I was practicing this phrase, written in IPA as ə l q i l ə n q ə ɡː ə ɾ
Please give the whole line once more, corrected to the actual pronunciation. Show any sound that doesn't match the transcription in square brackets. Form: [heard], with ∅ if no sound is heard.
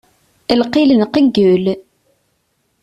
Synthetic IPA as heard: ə l q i l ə n q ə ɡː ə [l]